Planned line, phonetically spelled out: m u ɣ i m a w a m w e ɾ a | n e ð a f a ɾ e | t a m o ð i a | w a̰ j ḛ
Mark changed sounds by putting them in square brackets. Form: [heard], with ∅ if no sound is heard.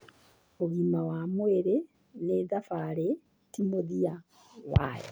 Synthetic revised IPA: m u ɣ i m a w a m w e ɾ [e] | n e ð a f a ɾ e | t [i] m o ð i a | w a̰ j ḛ